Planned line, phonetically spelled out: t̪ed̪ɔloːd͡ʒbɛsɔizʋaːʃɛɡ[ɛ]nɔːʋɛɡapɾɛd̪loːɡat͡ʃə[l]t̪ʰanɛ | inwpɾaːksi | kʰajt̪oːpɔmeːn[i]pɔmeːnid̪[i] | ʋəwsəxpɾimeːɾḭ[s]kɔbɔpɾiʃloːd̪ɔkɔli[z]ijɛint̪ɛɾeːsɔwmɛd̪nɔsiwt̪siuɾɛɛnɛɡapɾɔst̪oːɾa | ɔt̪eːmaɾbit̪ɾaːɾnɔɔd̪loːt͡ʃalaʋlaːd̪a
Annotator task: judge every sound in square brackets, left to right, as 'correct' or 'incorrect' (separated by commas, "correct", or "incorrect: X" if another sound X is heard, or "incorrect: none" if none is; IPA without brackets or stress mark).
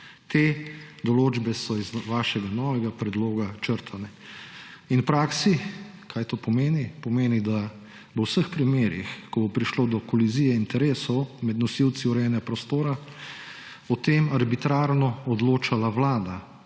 incorrect: a, incorrect: ɾ, correct, incorrect: a, incorrect: x, correct